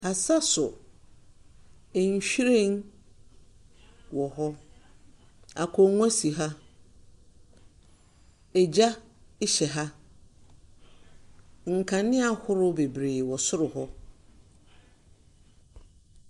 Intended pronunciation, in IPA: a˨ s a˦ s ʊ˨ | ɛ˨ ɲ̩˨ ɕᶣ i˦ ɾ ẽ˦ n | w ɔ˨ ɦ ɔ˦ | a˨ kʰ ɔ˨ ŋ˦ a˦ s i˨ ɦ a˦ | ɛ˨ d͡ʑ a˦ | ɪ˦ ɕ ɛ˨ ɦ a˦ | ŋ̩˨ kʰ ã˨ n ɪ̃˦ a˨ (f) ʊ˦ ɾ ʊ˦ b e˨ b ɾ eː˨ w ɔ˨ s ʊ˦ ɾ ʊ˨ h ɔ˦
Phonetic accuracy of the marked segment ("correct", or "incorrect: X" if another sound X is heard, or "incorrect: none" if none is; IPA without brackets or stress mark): incorrect: h